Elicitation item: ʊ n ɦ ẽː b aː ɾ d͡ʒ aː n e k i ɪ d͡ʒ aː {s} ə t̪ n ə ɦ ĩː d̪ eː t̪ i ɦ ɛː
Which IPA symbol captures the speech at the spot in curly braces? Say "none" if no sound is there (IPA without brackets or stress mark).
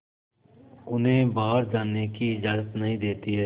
z